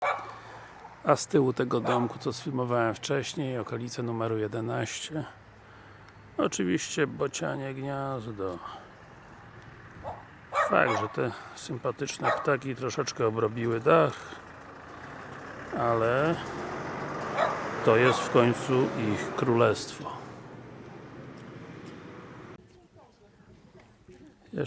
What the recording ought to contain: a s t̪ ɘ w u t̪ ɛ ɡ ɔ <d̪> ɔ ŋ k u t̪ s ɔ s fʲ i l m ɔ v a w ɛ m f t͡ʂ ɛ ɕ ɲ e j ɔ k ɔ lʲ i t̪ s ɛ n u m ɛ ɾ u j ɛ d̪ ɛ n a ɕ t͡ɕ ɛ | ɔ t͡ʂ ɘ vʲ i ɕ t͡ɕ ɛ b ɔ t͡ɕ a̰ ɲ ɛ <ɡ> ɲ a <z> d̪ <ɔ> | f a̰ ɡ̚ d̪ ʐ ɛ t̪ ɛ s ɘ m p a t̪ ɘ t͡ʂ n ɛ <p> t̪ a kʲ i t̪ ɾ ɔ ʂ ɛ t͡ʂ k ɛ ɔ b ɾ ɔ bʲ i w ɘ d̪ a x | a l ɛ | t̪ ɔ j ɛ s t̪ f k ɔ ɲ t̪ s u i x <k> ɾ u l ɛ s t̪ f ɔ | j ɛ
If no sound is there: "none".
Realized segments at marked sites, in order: d̪, ɡ, z, ɔ, p, k

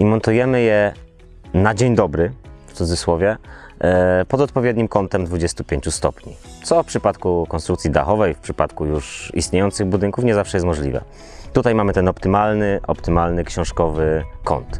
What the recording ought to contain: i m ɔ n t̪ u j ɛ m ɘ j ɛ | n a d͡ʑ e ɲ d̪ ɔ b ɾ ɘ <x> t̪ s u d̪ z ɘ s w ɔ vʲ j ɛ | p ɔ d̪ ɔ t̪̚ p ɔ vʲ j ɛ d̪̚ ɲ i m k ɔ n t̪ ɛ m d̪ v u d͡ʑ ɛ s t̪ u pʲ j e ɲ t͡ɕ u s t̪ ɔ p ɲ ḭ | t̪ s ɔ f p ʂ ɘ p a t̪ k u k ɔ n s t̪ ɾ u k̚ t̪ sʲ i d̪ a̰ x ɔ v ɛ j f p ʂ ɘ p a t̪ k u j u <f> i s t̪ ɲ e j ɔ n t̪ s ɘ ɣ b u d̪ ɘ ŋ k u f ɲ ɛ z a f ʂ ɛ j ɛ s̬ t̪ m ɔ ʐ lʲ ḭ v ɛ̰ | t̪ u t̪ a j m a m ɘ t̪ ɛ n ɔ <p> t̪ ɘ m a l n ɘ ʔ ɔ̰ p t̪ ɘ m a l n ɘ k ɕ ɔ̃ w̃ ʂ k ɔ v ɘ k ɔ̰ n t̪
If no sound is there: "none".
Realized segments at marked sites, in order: f, ʂ, p

